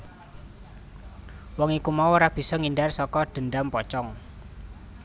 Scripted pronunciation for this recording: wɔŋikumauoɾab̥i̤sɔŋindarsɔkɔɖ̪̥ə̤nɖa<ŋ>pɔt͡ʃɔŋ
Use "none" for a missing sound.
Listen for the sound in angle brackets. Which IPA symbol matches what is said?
m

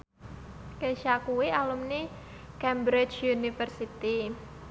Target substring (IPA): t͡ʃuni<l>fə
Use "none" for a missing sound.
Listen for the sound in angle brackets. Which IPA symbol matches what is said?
none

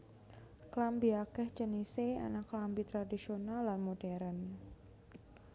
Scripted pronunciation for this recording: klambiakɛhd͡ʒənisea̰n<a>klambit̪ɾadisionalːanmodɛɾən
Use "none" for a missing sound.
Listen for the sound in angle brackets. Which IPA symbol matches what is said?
a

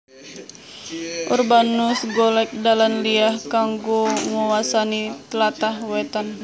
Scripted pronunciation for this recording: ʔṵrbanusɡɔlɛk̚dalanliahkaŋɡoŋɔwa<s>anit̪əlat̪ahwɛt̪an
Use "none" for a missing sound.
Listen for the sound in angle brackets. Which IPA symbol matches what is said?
s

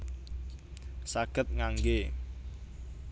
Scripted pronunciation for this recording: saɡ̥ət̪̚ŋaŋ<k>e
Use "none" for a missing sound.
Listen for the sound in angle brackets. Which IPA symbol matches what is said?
ɡ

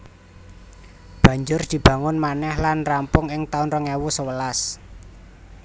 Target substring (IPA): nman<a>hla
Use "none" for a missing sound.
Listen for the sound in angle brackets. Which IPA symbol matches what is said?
ɛ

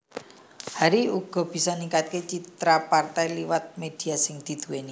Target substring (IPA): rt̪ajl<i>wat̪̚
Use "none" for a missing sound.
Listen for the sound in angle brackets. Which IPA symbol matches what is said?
i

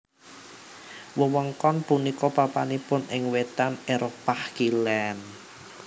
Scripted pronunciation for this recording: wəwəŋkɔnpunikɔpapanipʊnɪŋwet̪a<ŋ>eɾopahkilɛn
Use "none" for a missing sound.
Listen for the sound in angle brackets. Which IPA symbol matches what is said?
n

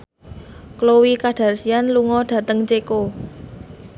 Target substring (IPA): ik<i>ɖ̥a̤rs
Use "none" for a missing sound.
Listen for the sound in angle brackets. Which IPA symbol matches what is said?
a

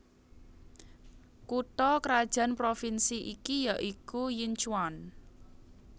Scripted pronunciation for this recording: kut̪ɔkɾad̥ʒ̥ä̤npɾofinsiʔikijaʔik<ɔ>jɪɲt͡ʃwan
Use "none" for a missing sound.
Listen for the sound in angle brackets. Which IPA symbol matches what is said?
u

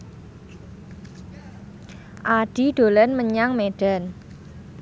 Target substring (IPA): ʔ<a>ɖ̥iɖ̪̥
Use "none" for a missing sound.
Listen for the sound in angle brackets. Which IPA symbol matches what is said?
a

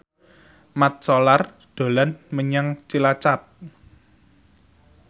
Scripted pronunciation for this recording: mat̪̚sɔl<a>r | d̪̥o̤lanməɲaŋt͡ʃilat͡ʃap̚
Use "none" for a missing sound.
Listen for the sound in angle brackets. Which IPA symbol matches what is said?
a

